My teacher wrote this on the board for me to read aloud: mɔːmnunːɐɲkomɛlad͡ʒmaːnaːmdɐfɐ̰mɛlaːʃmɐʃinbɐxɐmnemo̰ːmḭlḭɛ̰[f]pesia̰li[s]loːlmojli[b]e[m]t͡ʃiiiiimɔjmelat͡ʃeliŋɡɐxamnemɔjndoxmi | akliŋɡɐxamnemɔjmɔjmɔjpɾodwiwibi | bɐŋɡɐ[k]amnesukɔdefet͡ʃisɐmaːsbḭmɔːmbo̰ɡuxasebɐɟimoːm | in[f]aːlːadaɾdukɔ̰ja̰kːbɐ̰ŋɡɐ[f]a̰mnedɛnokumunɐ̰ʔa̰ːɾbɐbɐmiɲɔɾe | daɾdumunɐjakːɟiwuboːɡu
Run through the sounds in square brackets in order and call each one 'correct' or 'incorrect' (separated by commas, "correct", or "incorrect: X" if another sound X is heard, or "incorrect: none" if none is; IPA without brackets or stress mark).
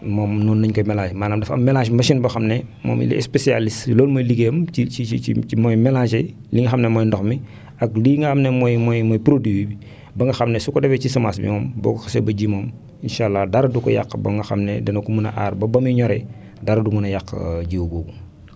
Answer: incorrect: s, correct, incorrect: ɡ, correct, incorrect: x, incorrect: ʃ, incorrect: x